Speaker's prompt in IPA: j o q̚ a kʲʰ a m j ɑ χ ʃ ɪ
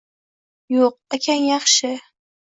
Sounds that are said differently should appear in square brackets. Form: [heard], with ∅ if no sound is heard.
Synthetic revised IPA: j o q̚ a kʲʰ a [n] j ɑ χ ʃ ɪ